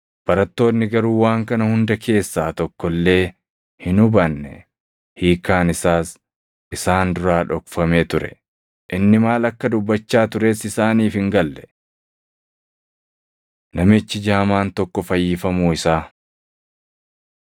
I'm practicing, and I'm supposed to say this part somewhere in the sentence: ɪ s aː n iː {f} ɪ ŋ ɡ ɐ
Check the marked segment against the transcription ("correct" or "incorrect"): correct